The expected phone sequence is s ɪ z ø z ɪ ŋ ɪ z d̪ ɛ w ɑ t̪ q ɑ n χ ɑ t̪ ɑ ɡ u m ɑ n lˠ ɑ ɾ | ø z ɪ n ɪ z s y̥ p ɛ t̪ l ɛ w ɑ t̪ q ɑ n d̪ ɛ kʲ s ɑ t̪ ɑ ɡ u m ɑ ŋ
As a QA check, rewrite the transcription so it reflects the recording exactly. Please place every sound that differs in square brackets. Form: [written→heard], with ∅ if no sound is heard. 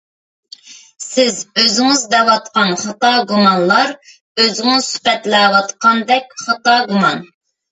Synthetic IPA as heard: s ɪ z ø z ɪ ŋ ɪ z d̪ ɛ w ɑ t̪ q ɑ n χ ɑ t̪ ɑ ɡ u m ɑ n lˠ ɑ ɾ | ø z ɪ [n→ŋ] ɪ z s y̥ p ɛ t̪ l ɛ w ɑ t̪ q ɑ n d̪ ɛ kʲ [s→χ] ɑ t̪ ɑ ɡ u m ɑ [ŋ→n]